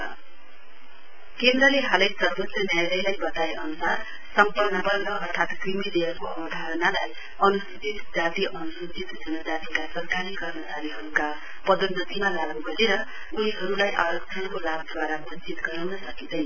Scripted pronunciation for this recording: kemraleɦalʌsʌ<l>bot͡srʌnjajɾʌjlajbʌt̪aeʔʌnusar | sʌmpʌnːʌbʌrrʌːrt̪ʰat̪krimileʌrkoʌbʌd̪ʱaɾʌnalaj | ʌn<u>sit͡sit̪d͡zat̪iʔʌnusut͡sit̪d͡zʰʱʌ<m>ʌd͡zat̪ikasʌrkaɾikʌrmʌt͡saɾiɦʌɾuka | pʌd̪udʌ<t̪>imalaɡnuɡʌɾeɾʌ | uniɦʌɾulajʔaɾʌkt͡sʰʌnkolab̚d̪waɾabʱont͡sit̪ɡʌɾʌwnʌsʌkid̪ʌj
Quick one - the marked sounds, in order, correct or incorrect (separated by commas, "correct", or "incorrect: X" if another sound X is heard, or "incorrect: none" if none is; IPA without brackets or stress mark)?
incorrect: r, correct, incorrect: n, correct